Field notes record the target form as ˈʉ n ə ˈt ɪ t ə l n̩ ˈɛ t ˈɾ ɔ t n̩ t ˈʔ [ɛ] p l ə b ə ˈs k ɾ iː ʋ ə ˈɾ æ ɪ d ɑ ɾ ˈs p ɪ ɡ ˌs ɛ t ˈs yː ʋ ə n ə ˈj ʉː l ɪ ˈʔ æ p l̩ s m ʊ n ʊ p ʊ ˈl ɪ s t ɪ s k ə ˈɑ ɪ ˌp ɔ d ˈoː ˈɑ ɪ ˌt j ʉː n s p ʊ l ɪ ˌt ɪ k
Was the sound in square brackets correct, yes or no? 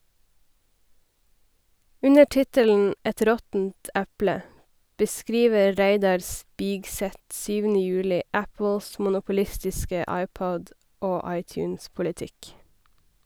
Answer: no